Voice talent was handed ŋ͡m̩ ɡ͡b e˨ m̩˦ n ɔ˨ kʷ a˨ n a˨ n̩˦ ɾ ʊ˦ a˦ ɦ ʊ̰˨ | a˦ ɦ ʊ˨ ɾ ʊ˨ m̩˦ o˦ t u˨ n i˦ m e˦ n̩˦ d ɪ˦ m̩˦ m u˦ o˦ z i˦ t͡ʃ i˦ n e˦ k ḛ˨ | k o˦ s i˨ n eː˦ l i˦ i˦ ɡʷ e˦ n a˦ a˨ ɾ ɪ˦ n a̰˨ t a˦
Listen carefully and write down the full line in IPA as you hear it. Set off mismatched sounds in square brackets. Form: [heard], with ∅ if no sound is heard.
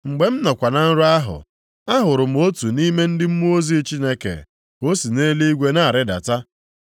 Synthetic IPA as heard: ŋ͡m̩ ɡ͡b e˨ m̩˦ n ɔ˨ kʷ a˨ n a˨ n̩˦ ɾ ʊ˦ a˦ ɦ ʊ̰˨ | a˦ ɦ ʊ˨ ɾ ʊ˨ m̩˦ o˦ t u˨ n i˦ m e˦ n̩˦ d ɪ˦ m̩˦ m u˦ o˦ z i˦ t͡ʃ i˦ n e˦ k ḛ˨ | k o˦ s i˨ n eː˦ l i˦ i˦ ɡʷ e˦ n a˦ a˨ ɾ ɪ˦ [d] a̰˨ t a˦